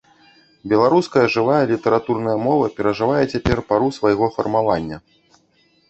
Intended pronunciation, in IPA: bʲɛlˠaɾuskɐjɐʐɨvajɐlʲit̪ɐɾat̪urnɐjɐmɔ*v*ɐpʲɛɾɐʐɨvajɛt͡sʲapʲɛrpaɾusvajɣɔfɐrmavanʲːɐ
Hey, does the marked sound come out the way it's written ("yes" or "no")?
yes